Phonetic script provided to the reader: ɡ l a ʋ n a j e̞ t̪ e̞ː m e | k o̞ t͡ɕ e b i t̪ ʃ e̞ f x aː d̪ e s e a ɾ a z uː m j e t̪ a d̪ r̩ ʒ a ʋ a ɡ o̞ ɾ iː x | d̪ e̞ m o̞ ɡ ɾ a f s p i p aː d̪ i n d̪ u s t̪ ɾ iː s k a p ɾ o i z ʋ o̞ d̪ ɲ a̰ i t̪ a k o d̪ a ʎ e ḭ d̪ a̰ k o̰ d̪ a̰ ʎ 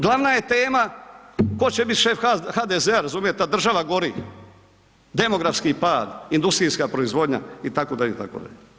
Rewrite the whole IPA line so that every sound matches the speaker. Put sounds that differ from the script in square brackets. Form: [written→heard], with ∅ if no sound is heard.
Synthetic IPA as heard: ɡ l a ʋ n a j e̞ t̪ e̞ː m [e→a] | k o̞ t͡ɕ e b i t̪ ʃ e̞ f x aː d̪ e [s→z] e a ɾ a z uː m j e t̪ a d̪ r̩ ʒ a ʋ a ɡ o̞ ɾ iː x | d̪ e̞ m o̞ ɡ ɾ a f s [p→k] i p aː d̪ i n d̪ u s t̪ ɾ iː s k a p ɾ o i z ʋ o̞ d̪ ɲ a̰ i t̪ a k o d̪ a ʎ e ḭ [d̪→t̪] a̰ k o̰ d̪ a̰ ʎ